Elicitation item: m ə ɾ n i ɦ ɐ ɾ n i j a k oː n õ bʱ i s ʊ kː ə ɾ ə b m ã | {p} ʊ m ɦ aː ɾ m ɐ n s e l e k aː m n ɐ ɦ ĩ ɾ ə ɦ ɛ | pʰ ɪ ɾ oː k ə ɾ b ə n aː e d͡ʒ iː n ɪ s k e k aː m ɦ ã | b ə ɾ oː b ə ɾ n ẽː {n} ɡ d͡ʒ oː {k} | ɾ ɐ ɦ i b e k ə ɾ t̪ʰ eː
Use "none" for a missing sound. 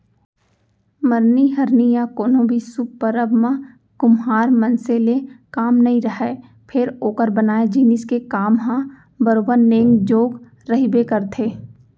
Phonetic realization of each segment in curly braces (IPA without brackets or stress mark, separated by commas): k, ŋ, ɡ